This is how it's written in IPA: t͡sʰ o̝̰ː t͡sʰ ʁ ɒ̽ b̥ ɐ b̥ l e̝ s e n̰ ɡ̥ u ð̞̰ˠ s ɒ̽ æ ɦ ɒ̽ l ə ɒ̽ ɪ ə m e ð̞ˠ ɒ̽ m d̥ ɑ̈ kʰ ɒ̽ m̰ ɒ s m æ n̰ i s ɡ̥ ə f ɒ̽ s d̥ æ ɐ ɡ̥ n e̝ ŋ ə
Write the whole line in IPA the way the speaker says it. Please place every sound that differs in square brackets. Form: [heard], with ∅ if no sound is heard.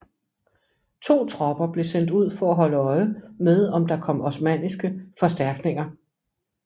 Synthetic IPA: t͡sʰ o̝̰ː t͡sʰ ʁ ɒ̽ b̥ ɐ b̥ l e̝ s e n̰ [d̥] u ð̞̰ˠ [f] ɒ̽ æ ɦ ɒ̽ l ə ɒ̽ ɪ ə m e ð̞ˠ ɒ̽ m d̥ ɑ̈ kʰ ɒ̽ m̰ ɒ s m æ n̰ i s ɡ̥ ə f ɒ̽ s d̥ æ ɐ ɡ̥ n e̝ ŋ [ɐ]